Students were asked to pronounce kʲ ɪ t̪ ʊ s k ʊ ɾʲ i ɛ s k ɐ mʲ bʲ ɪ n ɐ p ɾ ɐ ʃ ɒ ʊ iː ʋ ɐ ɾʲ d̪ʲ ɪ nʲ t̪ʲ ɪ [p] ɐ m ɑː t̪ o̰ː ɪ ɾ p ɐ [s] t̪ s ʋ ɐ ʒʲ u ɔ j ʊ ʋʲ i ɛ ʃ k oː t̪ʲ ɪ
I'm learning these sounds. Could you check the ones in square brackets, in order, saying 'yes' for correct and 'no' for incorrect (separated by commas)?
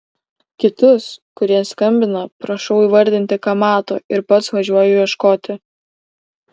no, no